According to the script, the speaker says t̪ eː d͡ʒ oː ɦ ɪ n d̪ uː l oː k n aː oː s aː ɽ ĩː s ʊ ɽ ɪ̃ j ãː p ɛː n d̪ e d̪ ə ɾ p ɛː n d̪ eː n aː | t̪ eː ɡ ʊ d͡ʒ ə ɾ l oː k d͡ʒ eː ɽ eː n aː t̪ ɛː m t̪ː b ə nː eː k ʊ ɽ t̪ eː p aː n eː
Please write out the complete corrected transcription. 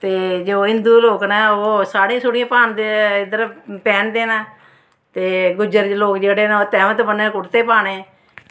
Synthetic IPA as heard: t̪ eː d͡ʒ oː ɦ ɪ n d̪ uː l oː k n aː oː s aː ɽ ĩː s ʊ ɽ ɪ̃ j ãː p aː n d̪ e d̪ ə ɾ p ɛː n d̪ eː n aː | t̪ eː ɡ ʊ d͡ʒ ə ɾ l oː k d͡ʒ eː ɽ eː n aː t̪ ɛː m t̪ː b ə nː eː k ʊ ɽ t̪ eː p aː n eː

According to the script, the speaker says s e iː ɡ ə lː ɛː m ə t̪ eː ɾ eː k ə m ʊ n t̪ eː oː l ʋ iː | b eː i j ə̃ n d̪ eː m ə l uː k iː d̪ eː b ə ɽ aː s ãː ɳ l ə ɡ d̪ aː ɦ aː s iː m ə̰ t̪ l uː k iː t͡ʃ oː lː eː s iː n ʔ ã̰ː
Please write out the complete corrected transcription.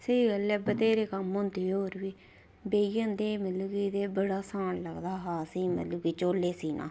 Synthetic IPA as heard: s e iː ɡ ə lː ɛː b ə t̪ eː ɾ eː k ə m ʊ n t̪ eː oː ɾ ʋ iː | b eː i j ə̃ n d̪ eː m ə l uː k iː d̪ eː b ə ɽ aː s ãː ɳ l ə ɡ d̪ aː ɦ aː s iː m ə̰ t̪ l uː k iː t͡ʃ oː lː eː s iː n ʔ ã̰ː

